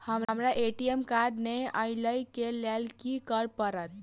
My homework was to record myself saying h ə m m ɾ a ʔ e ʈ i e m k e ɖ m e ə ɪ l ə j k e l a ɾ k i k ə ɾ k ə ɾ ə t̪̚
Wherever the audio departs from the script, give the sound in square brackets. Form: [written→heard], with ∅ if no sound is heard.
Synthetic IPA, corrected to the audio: h ə m m ɾ a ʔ e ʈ i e m k [e→a] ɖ [m→n] e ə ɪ l ə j k e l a [ɾ→l] k i k ə ɾ [k→p] ə ɾ ə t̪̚